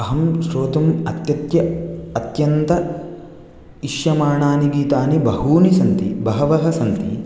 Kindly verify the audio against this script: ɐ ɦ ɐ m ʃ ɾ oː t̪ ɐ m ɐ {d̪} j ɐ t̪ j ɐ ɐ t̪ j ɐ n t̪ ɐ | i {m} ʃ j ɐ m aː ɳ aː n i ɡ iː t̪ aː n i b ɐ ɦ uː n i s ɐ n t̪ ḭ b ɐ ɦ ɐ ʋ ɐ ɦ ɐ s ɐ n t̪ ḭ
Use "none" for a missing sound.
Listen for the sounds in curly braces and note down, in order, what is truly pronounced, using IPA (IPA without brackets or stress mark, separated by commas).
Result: t̪, none